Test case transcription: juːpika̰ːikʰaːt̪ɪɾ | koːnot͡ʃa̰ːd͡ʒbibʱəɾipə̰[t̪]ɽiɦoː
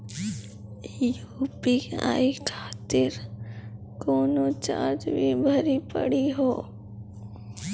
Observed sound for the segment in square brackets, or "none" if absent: none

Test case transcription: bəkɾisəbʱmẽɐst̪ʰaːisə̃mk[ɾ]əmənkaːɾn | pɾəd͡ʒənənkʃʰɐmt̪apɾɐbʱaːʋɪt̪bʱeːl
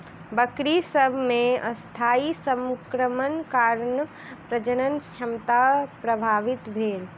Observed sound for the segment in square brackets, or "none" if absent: ɾ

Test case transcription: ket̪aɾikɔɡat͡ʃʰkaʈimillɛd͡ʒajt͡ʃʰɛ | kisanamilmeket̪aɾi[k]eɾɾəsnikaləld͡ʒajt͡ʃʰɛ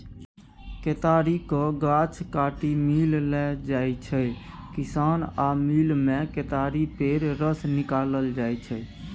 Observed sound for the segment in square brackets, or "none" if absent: p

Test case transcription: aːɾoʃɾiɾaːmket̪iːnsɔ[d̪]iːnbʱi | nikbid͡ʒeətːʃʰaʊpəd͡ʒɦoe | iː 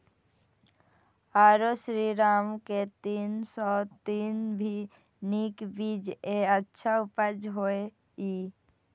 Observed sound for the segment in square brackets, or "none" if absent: t̪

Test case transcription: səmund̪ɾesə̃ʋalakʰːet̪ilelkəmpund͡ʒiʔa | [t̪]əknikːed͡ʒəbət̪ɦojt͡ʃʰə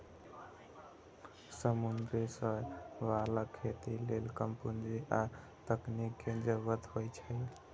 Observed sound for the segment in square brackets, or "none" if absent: t̪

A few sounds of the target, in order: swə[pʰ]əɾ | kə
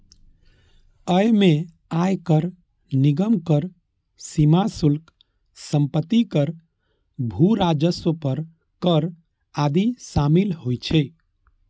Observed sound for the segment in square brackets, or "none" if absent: p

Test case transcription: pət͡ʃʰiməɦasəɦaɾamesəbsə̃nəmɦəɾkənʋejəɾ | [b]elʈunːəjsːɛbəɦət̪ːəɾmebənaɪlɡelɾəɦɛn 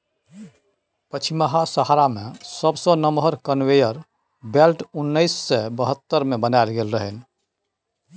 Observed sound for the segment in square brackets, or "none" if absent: b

